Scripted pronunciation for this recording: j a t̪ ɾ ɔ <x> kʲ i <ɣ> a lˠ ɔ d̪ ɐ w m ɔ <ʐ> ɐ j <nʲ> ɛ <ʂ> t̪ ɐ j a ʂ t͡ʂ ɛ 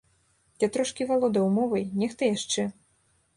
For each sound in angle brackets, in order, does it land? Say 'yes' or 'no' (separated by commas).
no, no, no, yes, no